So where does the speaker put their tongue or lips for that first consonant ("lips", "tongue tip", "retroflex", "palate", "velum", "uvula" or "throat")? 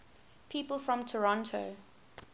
lips